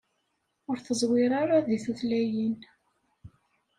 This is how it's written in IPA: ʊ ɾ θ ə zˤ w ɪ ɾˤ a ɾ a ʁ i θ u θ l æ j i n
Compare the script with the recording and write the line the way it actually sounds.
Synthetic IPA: ʊ ɾ θ ə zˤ w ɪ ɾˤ a ɾ a ð i θ u θ l æ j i n